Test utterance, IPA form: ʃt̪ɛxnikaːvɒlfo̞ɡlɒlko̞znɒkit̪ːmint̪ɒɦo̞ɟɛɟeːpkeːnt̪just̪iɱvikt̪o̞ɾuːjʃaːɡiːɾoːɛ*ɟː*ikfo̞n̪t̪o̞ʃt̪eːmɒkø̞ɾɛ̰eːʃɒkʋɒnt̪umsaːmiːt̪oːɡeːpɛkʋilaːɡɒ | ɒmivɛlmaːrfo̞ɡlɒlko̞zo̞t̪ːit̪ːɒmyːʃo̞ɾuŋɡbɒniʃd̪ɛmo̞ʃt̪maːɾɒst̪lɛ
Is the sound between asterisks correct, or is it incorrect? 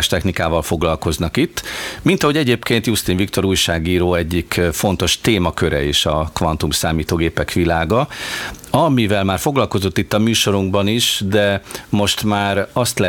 correct